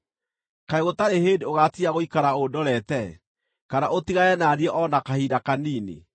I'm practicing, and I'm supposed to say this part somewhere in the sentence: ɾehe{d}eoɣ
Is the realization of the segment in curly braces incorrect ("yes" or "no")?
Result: no